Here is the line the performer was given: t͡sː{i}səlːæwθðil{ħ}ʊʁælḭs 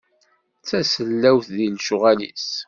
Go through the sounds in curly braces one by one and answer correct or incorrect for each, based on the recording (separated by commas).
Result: incorrect, incorrect